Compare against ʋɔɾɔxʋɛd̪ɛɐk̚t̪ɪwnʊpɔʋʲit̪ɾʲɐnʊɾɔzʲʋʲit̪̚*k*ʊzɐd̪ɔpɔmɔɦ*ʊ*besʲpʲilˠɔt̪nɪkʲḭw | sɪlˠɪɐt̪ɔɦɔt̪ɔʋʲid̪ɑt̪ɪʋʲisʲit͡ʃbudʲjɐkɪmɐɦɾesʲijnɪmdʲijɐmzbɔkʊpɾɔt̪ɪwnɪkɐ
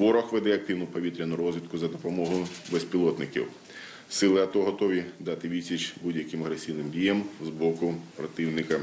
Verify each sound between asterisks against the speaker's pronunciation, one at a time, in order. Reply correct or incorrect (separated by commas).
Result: correct, correct